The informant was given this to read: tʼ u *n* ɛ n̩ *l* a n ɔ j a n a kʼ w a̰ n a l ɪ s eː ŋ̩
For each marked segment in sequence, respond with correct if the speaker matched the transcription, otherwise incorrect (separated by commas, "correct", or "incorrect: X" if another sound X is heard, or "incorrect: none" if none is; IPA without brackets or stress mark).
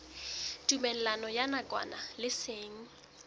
incorrect: m, correct